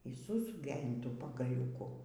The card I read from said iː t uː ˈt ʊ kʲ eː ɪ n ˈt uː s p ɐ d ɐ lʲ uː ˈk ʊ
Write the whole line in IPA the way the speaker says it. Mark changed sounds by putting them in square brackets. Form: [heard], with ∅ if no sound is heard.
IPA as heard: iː [s] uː [ˈs] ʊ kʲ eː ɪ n ˈt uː [∅] p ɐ [ɡ] ɐ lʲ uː ˈk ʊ